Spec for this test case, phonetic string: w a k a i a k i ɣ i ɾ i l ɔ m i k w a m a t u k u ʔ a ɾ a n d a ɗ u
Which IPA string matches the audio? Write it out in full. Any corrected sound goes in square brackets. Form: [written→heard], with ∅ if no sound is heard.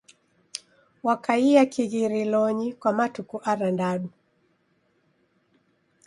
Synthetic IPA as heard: w a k a i a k i ɣ i ɾ i l ɔ [m→ɲ] i k w a m a t u k u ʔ a ɾ a n d a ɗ u